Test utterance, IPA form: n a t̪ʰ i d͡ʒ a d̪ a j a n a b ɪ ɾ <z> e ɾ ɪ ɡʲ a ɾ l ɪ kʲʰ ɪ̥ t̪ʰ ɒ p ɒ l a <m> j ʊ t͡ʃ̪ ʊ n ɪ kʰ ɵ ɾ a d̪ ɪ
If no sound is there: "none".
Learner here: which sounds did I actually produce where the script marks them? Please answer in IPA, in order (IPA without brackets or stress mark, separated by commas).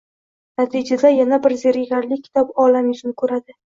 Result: z, m